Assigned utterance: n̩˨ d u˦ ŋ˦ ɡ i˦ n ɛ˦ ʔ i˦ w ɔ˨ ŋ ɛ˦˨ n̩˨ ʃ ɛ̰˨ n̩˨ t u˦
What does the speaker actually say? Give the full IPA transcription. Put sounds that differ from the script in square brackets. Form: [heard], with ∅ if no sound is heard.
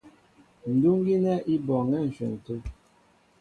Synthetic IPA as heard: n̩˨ d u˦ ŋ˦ ɡ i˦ n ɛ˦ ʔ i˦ [b] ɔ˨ ŋ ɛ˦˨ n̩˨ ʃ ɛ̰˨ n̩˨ t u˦